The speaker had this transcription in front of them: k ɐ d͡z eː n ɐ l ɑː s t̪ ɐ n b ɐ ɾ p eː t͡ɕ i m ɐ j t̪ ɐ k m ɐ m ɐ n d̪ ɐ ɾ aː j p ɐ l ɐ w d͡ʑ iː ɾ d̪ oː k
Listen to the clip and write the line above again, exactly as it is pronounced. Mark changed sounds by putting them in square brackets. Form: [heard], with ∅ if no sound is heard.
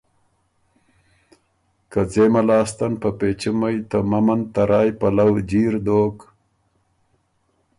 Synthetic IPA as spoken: k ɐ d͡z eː [m] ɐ l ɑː s t̪ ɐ n [p] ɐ [∅] p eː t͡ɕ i m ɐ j t̪ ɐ [∅] m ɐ m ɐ n [t̪] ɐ ɾ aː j p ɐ l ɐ w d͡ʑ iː ɾ d̪ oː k